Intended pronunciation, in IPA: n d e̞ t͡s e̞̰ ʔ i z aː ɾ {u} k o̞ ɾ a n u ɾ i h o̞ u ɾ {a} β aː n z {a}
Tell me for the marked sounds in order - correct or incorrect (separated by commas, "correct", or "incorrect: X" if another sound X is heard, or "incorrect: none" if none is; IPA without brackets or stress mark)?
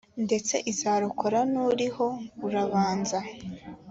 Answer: correct, correct, correct